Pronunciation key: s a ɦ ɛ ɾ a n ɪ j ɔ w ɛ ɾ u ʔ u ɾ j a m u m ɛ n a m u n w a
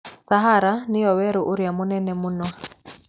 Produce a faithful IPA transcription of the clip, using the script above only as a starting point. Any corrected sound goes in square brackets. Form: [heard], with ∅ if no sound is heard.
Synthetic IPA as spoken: s a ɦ [a] ɾ a n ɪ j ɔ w ɛ ɾ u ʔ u ɾ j a m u [n] ɛ n [ɛ] m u n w a